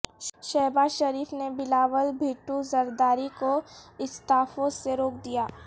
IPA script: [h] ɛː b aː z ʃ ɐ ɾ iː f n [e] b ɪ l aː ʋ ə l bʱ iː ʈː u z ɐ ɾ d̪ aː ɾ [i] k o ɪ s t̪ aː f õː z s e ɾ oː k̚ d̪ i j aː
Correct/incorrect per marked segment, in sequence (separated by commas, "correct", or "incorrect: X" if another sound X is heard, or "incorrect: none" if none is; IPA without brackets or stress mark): incorrect: ʃ, correct, correct